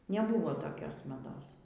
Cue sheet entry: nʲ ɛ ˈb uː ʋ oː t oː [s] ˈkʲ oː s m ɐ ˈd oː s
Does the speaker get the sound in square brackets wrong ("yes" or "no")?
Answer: yes